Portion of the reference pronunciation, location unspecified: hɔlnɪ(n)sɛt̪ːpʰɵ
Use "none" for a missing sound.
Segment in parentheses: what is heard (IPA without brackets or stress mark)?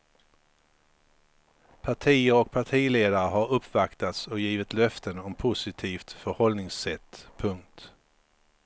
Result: ŋ